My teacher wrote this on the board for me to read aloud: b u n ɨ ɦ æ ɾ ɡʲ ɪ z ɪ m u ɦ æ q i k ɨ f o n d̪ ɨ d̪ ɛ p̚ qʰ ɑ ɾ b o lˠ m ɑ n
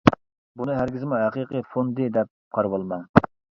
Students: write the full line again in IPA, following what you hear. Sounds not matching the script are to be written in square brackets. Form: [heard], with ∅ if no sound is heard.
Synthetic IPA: b u n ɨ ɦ æ ɾ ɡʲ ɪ z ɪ m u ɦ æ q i [q] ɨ f o n d̪ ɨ d̪ ɛ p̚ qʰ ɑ ɾ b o lˠ m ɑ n